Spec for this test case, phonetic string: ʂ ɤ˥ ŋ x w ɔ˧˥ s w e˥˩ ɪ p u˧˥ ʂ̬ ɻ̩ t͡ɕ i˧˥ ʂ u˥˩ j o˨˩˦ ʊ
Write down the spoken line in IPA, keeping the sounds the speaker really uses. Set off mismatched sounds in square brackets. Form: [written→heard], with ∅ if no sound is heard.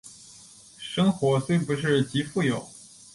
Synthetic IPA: ʂ ɤ˥ ŋ x w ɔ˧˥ s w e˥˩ ɪ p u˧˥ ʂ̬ ɻ̩ t͡ɕ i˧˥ [ʂ→f] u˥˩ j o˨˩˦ ʊ